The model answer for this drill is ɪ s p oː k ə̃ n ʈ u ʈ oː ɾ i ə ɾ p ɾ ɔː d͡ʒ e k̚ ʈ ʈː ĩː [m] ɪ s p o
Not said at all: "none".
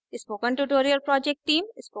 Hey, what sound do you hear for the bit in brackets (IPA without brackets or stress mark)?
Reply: m